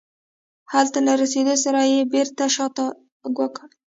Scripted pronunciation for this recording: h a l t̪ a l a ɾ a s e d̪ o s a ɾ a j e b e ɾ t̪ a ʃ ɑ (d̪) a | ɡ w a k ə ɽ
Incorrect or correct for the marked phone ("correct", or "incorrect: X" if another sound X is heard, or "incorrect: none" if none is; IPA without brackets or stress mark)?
incorrect: t̪